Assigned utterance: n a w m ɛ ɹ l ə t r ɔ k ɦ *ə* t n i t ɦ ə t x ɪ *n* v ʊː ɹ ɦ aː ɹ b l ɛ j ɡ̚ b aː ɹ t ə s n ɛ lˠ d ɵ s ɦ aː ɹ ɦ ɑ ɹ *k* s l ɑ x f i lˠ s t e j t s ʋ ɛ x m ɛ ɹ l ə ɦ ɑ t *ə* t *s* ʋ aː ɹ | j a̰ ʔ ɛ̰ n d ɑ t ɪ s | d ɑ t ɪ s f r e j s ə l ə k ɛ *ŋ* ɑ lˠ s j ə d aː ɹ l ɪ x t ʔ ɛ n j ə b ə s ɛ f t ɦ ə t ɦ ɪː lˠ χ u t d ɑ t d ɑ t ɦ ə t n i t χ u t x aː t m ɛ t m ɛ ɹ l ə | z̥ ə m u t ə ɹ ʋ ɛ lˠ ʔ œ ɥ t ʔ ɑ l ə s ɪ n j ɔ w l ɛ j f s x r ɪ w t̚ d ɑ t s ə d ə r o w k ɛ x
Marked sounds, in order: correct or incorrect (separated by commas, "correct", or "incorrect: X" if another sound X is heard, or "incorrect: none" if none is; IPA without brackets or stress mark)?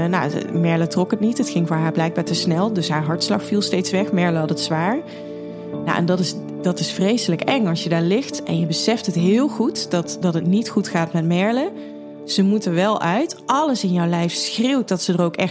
correct, incorrect: ŋ, incorrect: t, correct, correct, correct